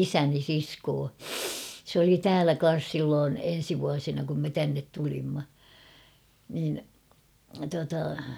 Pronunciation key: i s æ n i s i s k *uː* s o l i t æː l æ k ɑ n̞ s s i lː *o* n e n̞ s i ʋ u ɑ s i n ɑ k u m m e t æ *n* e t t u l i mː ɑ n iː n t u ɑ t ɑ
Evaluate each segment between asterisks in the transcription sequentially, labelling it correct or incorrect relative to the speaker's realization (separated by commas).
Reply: incorrect, incorrect, incorrect